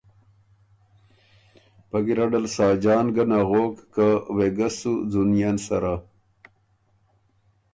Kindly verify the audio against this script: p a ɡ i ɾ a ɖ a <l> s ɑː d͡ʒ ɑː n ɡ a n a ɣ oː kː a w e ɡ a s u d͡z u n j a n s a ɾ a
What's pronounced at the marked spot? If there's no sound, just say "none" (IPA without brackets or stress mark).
l